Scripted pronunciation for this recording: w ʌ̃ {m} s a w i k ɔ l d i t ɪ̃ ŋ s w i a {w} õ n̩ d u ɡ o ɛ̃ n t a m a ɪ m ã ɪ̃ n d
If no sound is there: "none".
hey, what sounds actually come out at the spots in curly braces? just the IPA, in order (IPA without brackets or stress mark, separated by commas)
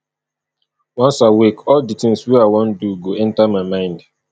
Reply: n, w